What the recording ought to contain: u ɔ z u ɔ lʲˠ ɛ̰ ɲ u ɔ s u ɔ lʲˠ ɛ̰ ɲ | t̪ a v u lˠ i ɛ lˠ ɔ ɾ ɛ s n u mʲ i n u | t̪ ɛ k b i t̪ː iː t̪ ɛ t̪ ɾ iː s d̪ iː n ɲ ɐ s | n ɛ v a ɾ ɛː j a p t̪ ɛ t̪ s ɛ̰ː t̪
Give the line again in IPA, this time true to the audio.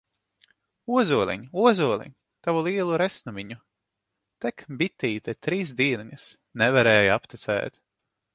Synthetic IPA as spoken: u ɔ z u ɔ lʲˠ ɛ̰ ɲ u ɔ z u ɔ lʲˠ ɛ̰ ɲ | t̪ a v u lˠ i ɛ lˠ u ɾ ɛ s n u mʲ i ɲ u | t̪ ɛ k b i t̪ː iː t̪ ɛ t̪ ɾ iː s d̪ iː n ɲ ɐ s | n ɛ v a ɾ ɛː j a p t̪ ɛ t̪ s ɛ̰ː t̪